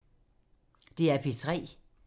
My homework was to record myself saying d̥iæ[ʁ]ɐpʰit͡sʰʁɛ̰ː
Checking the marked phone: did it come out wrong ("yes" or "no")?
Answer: yes